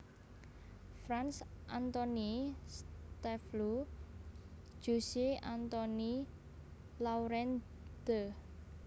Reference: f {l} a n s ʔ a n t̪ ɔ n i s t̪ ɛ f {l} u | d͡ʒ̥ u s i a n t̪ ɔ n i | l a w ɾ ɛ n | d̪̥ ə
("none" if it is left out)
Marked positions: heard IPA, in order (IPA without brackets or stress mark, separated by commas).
ɾ, l